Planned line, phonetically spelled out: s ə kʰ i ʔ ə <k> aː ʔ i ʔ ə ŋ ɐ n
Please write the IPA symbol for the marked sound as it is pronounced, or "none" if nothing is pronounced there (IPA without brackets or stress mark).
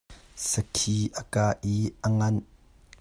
k